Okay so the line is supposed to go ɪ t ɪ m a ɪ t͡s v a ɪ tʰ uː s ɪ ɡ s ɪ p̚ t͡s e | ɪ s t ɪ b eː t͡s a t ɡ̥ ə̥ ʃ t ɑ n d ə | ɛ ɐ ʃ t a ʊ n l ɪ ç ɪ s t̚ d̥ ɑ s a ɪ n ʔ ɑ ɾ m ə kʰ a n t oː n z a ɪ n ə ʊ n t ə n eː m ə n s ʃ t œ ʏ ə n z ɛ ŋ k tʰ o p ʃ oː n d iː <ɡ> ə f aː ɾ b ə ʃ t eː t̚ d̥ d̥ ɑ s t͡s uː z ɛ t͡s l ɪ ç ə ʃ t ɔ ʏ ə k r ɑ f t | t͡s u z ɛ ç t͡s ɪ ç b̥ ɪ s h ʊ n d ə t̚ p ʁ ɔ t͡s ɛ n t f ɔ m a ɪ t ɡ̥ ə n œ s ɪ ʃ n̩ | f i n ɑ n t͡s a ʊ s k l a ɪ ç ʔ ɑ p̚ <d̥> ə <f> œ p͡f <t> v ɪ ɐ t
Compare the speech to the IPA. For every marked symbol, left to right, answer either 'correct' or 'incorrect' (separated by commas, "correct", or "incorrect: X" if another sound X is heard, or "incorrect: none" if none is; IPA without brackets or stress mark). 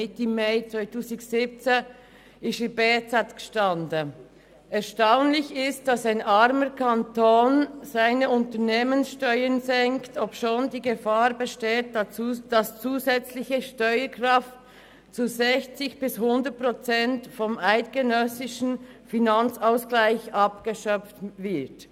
correct, incorrect: ɡ̥, incorrect: ʃ, correct